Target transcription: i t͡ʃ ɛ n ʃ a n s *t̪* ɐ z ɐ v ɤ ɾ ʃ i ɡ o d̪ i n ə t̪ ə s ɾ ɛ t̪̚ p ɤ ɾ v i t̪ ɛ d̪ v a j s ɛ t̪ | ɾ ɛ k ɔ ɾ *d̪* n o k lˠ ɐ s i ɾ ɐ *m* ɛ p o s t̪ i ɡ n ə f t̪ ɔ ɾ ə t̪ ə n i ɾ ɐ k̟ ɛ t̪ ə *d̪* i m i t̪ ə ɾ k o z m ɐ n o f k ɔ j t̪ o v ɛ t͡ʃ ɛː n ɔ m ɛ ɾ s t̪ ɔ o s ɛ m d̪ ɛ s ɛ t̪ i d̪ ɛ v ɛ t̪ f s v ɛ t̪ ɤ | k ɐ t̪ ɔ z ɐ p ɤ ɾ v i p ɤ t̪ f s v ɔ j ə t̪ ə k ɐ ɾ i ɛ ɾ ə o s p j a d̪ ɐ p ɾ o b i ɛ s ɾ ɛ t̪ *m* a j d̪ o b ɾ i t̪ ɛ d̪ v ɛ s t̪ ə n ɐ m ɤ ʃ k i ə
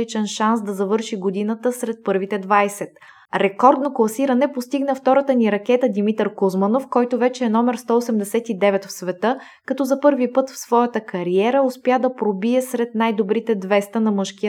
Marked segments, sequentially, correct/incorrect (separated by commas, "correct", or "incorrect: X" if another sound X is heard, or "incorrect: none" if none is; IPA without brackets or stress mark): incorrect: d̪, correct, incorrect: n, correct, incorrect: n